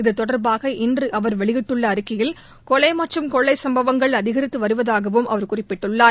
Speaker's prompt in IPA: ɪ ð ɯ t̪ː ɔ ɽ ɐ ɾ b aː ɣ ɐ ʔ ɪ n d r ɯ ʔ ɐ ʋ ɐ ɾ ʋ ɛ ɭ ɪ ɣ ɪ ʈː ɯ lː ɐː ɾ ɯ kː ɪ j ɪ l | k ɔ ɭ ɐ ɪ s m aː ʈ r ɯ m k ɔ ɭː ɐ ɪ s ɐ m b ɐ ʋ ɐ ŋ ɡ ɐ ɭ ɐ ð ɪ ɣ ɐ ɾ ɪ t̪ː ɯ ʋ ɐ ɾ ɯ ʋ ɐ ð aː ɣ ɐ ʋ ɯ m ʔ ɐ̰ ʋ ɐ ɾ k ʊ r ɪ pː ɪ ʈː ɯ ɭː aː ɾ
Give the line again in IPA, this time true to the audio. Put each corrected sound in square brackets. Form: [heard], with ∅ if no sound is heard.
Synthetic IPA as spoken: ɪ ð ɯ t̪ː ɔ ɽ ɐ ɾ b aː ɣ ɐ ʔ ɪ n d r ɯ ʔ ɐ ʋ ɐ ɾ ʋ ɛ ɭ ɪ ɣ ɪ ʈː ɯ [ɭː] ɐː ɾ ɯ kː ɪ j ɪ l | k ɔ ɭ ɐ ɪ [∅] m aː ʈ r ɯ m k ɔ ɭː ɐ ɪ s ɐ m b ɐ ʋ ɐ ŋ ɡ ɐ ɭ ɐ ð ɪ ɣ ɐ ɾ ɪ t̪ː ɯ ʋ ɐ ɾ ɯ ʋ ɐ ð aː ɣ ɐ ʋ ɯ m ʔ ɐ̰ ʋ ɐ ɾ k ʊ r ɪ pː ɪ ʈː ɯ ɭː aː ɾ